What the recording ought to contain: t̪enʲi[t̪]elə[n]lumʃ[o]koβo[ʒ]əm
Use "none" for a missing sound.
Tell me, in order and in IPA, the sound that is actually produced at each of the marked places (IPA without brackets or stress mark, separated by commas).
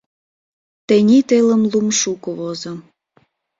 t̪, m, u, z